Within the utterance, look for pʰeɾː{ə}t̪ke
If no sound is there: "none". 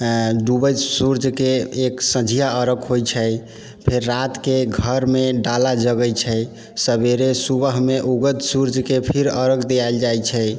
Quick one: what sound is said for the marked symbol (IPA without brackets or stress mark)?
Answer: a